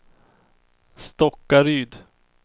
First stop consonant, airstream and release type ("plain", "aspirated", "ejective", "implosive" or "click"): plain